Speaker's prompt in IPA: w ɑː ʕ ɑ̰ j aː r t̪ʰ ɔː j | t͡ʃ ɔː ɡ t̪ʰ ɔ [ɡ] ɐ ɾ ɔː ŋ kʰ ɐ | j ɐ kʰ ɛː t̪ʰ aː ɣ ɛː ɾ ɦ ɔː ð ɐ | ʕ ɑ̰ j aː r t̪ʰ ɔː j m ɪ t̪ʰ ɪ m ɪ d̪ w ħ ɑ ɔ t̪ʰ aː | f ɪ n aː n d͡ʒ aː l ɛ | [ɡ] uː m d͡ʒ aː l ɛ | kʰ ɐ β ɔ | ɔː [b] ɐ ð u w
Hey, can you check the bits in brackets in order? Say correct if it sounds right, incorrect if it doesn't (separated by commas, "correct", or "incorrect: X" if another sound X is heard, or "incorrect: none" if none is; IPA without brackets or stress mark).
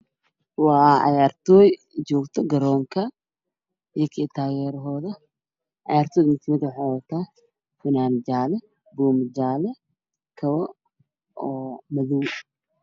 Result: correct, incorrect: b, incorrect: m